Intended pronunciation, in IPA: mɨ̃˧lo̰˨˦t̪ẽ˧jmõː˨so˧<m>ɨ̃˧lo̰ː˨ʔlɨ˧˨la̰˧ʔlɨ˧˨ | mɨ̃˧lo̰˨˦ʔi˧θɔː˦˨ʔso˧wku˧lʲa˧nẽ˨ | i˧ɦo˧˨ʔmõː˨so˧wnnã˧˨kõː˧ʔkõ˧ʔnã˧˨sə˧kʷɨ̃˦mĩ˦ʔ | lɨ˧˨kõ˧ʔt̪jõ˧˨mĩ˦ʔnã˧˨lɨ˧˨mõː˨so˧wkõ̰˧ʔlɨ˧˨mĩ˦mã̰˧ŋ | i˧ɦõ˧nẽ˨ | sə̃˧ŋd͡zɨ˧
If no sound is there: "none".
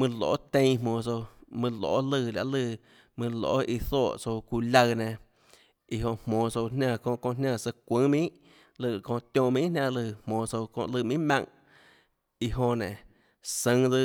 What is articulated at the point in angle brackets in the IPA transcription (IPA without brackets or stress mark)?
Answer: m